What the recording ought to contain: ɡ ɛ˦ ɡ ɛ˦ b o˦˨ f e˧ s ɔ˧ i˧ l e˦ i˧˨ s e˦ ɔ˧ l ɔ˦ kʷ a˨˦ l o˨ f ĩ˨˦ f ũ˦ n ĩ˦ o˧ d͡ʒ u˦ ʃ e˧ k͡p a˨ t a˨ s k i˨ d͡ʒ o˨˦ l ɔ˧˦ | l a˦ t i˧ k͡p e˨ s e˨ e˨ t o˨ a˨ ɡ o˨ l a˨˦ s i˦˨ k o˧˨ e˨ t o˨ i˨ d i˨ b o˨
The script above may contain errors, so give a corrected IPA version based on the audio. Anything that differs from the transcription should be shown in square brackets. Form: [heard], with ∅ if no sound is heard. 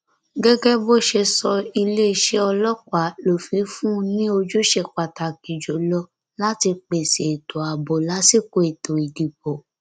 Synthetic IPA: ɡ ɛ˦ ɡ ɛ˦ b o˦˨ [ʃ] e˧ s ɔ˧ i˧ l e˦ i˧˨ [ʃ] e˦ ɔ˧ l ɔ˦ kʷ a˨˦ l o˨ f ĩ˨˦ f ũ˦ n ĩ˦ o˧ d͡ʒ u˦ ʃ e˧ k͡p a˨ t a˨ [∅] k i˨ d͡ʒ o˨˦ l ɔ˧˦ | l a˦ t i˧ k͡p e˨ s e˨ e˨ t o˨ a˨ [b] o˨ l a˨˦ s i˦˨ k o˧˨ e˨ t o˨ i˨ d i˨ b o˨